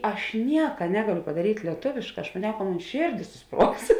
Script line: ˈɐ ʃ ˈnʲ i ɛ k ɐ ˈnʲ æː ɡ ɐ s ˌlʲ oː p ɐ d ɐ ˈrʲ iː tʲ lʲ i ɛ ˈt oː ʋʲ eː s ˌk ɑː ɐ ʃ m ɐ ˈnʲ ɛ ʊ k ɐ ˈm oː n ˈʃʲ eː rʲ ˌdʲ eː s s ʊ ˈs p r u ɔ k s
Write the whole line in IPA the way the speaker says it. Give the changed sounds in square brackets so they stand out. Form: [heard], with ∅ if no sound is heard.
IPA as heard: ˈɐ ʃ ˈnʲ i ɛ k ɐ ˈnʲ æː ɡ ɐ [∅] ˌlʲ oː p ɐ d ɐ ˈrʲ iː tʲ lʲ i ɛ ˈt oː ʋʲ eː [ʃ] ˌk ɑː ɐ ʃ m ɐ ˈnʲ ɛ ʊ k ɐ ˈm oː n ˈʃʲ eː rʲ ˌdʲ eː s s ʊ ˈs p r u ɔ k s